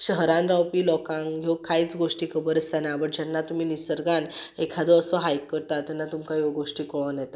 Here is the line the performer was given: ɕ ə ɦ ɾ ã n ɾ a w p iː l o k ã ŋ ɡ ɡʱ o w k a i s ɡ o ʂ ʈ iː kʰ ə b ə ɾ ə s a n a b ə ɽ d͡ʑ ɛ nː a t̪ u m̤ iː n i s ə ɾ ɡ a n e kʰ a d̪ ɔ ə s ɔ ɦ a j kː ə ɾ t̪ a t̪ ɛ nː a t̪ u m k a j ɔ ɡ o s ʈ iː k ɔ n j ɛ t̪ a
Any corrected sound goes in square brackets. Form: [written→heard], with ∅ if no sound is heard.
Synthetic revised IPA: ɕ ə ɦ ɾ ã n ɾ a w p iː l [o→ɔ] k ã ŋ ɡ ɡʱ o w k a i [s→t͡s] ɡ o ʂ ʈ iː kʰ ə b ə ɾ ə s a n a b ə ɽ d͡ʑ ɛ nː a t̪ u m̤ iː n i s ə ɾ ɡ a n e kʰ a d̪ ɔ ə s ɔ ɦ a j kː ə ɾ t̪ a t̪ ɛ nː a t̪ u m k a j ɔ ɡ o [s→ʂ] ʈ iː k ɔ n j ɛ t̪ a